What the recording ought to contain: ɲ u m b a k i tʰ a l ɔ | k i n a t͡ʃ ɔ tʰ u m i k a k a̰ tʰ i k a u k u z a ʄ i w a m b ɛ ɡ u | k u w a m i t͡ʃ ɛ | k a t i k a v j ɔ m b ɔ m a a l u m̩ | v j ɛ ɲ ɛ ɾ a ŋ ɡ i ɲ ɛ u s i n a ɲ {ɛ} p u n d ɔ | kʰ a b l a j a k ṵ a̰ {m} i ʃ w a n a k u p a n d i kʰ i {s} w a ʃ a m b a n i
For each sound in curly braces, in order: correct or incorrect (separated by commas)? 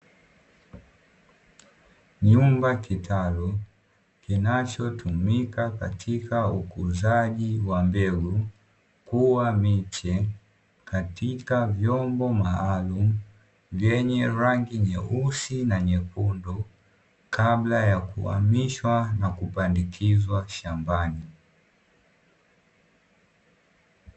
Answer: correct, correct, incorrect